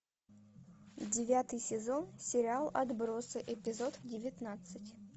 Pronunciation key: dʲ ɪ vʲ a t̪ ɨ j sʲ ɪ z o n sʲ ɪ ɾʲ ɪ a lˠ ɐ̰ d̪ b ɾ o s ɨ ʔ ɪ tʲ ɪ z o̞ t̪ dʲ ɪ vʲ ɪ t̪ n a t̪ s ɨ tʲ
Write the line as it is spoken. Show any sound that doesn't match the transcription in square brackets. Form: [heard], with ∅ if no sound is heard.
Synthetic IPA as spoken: dʲ ɪ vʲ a t̪ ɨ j sʲ ɪ z o n sʲ ɪ ɾʲ ɪ a lˠ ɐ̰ d̪ b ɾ o s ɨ ʔ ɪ [pʲ] ɪ z o̞ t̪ dʲ ɪ vʲ ɪ t̪ n a t̪ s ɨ tʲ